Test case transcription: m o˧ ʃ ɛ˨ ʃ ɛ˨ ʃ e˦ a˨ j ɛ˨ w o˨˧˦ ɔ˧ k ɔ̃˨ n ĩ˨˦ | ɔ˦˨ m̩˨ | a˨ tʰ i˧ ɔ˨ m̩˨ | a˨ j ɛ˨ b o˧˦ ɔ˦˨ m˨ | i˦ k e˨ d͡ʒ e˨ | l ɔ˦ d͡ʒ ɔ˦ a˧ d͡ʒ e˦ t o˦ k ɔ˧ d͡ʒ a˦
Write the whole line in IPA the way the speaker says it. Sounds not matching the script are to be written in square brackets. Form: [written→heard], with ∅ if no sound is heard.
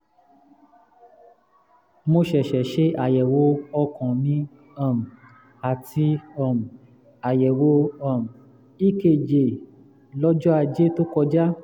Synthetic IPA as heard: m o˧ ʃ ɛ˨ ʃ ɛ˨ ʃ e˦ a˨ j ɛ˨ w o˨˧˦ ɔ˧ k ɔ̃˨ n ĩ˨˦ | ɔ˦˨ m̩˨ | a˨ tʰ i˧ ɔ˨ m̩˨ | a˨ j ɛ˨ [b→w] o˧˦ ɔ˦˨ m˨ | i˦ k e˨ d͡ʒ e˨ | l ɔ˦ d͡ʒ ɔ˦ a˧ d͡ʒ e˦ t o˦ k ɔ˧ d͡ʒ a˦

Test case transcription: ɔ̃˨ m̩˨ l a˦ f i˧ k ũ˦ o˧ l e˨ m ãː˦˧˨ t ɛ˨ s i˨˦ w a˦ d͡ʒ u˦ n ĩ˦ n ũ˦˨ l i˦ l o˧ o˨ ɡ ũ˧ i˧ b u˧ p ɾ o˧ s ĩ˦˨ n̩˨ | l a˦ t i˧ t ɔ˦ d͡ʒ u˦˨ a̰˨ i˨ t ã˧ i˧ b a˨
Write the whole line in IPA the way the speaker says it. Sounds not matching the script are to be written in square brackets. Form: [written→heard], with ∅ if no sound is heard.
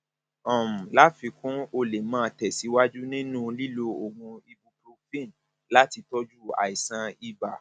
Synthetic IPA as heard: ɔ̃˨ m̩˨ l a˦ f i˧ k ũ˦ o˧ l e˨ m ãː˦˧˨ t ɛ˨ s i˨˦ w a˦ d͡ʒ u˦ n ĩ˦ n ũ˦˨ l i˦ l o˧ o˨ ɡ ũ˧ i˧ b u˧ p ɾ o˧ [s→f] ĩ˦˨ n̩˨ | l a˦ t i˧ t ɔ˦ d͡ʒ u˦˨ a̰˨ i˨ [t→s] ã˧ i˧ b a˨

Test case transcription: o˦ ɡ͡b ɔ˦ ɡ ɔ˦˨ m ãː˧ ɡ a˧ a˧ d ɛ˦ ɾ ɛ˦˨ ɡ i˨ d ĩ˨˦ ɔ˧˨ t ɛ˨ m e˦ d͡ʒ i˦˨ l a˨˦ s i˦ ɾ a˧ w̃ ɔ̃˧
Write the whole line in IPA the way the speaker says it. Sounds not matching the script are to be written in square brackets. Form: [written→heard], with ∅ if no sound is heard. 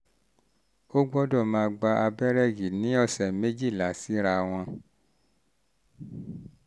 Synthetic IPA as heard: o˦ ɡ͡b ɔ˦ [ɡ→d] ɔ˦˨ m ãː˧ [ɡ→ɡ͡b] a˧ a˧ [d→b] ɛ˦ ɾ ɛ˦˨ ɡ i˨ [d→n] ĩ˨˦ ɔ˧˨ [t→s] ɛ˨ m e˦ d͡ʒ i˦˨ l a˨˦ s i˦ ɾ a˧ w̃ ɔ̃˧

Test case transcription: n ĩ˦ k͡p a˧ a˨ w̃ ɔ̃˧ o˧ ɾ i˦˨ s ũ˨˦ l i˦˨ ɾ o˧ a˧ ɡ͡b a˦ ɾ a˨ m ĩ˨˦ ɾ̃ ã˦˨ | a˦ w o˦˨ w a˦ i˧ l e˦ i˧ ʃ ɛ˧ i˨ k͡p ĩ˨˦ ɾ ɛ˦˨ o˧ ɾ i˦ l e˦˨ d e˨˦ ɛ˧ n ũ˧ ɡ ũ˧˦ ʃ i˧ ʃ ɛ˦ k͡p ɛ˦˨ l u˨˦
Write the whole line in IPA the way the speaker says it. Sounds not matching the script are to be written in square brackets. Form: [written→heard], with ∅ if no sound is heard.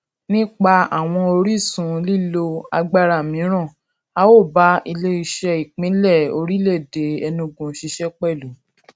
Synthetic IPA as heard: n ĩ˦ k͡p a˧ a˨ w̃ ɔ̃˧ o˧ ɾ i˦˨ s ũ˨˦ l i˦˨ [ɾ→l] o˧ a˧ ɡ͡b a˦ ɾ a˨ m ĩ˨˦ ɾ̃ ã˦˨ | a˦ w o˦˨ [w→b] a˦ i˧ l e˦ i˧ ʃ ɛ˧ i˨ k͡p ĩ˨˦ [ɾ→l] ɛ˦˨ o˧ ɾ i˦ l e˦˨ d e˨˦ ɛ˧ n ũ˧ ɡ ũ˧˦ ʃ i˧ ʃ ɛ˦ k͡p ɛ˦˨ l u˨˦

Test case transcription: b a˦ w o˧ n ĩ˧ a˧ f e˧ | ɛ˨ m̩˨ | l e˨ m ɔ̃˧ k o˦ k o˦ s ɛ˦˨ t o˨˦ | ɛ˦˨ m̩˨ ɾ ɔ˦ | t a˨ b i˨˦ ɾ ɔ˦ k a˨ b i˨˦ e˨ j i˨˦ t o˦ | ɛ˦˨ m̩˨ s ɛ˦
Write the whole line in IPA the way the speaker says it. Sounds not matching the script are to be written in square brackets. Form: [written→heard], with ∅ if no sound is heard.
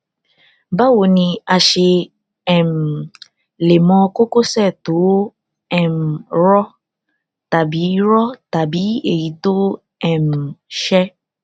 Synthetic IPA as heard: b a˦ w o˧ n ĩ˧ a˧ [f→ʃ] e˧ | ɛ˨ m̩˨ | l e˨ m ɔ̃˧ k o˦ k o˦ s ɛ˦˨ t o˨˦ | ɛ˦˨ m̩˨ ɾ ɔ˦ | t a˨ b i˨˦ ɾ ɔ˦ [k→t] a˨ b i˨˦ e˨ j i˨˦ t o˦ | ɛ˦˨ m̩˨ [s→ʃ] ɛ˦

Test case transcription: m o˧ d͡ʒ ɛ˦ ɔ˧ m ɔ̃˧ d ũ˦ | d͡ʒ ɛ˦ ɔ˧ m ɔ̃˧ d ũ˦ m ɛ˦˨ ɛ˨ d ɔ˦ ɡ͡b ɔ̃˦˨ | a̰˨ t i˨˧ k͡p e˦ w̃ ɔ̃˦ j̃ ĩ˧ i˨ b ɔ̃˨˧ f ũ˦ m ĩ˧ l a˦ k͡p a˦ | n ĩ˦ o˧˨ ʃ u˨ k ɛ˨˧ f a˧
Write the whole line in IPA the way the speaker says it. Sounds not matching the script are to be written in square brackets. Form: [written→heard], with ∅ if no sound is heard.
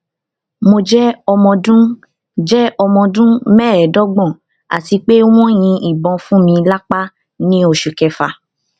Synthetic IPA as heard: m o˧ d͡ʒ ɛ˦ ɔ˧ m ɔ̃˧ d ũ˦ | d͡ʒ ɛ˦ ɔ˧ m ɔ̃˧ d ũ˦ m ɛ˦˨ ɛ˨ d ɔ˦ ɡ͡b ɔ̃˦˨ | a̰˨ t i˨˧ k͡p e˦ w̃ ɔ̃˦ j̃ ĩ˧ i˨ b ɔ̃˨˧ f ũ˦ m ĩ˧ l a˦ k͡p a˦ | n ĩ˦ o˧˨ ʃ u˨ k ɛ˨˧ f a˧

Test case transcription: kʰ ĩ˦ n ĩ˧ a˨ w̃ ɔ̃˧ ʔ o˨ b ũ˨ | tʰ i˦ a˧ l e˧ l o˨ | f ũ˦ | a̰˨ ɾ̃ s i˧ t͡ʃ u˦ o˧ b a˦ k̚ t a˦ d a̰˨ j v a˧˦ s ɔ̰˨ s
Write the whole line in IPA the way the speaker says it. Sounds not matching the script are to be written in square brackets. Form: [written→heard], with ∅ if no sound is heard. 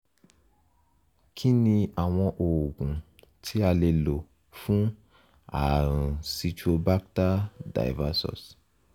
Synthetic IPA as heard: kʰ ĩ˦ n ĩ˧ a˨ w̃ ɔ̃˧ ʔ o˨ [b→ɡ] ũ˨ | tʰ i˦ a˧ l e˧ l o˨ | f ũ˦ | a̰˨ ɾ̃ s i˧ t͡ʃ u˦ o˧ b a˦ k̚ t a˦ d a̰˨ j v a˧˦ s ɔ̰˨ s

